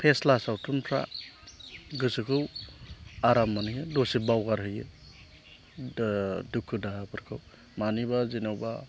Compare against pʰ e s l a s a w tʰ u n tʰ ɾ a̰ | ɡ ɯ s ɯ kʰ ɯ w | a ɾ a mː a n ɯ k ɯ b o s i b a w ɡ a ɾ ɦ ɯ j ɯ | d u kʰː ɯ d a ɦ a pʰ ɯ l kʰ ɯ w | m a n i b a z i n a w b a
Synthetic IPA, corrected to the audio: pʰ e s l a s a w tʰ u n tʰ ɾ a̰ | ɡ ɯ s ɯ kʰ ɯ w | a ɾ a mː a n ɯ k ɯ d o s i b a w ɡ a ɾ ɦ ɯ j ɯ | d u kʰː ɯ d a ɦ a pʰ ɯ ɾ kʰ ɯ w | m a n i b a z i n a w b a